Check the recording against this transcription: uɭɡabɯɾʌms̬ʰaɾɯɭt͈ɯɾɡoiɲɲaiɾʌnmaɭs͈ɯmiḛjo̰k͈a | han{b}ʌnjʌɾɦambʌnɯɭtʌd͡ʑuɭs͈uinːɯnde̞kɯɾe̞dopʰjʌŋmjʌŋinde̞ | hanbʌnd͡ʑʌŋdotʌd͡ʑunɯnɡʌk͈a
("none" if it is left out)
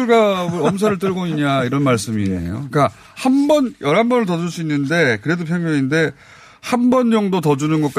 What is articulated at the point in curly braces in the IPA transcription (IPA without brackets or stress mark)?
b